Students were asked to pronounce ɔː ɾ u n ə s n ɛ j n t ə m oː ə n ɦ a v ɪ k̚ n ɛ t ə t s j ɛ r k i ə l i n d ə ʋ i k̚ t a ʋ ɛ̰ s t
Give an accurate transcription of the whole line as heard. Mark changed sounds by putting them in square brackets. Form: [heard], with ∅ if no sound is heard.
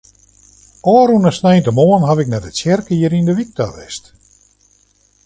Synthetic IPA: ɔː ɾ u n ə s n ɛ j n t ə m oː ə n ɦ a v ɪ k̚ n ɛ t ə t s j ɛ r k i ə [ɾ] i n d ə ʋ i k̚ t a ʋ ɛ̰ s t